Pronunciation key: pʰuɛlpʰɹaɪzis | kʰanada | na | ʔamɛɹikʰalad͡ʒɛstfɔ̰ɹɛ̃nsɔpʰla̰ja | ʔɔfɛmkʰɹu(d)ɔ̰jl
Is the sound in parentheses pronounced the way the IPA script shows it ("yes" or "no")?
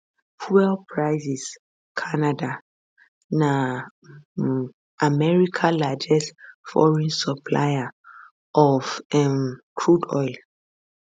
yes